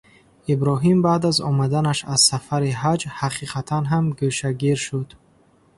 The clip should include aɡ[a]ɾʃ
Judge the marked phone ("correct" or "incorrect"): incorrect